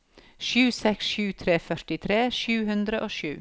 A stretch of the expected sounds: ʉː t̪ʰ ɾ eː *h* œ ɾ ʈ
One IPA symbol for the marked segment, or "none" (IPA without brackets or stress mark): f